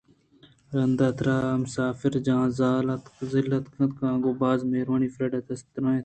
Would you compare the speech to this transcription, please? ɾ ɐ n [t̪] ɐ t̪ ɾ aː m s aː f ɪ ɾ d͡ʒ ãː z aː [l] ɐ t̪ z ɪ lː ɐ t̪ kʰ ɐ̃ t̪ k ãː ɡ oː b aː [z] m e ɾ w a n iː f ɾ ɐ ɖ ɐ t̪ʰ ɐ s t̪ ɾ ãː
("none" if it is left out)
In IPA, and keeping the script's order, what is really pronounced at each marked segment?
d̪, l, z

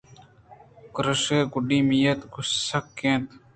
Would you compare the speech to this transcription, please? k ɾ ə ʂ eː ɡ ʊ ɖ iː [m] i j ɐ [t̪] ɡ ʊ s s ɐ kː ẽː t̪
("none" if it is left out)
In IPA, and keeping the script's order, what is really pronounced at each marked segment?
m, t̪

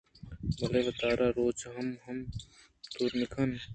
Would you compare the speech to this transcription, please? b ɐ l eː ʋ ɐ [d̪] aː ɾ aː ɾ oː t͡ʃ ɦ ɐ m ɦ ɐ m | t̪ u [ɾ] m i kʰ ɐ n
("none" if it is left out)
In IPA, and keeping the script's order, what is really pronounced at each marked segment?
t̪, ɾ

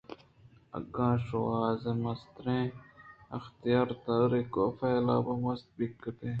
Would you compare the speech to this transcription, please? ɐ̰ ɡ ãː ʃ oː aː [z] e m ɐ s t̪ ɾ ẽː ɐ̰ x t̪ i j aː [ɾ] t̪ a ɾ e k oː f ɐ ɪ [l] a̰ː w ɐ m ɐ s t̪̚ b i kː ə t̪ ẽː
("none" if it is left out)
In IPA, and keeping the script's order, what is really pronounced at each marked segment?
z, ɾ, l

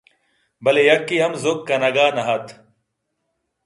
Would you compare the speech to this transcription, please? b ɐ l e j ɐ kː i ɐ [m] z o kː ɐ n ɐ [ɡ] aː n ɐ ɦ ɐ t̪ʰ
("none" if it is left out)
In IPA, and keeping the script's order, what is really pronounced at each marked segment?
m, ɡ

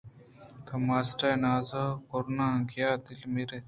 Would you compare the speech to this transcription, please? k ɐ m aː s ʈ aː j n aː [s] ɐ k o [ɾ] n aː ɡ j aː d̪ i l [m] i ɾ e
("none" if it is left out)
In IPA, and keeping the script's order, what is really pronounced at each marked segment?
z, ɾ, m

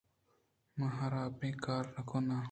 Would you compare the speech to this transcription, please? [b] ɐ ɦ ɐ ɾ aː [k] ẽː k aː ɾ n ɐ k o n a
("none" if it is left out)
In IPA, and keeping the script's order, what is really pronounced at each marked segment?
m, p

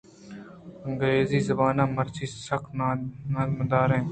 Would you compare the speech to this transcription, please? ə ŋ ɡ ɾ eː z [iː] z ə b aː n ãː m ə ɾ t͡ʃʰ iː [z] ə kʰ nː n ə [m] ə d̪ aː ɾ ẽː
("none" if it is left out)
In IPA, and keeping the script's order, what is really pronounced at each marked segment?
iː, s, m

